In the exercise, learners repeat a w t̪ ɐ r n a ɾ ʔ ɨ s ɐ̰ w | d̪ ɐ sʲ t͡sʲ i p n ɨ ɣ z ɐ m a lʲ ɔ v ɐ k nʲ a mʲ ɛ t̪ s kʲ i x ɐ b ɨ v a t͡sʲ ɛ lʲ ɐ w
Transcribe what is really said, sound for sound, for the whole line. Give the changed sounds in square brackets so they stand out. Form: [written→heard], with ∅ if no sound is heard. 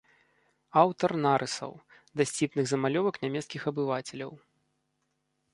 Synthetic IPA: a w t̪ ɐ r n a ɾ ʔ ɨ s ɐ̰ w | d̪ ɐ sʲ t͡sʲ i p n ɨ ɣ z ɐ m a lʲ ɔ v ɐ k nʲ a mʲ ɛ t̪ s kʲ i x ɐ b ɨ v a t͡sʲ ɛ lʲ ɐ w